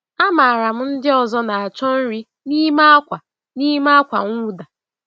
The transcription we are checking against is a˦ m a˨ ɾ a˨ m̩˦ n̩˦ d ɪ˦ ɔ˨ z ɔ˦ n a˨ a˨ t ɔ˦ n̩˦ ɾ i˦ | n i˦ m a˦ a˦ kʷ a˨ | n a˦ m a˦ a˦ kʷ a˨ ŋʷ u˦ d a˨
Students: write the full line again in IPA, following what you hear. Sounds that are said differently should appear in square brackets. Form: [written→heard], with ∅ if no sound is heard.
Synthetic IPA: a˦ m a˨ ɾ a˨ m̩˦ n̩˦ d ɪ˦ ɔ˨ z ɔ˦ n a˨ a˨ [t→t͡ʃ] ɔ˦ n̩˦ ɾ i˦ | n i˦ m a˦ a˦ kʷ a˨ | n [a˦→i˦] m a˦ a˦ kʷ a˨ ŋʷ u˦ d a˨